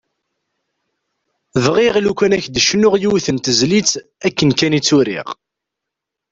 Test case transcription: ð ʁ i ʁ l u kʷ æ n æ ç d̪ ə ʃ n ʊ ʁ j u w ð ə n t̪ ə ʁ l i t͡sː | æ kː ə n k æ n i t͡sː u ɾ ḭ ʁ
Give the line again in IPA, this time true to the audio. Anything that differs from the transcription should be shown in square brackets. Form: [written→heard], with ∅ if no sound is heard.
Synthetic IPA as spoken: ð ʁ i ʁ l u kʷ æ n æ ç d̪ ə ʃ n ʊ ʁ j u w [ð→θ] ə n t̪ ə [ʁ→z] l i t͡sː | æ kː ə n k æ n i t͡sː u ɾ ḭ ʁ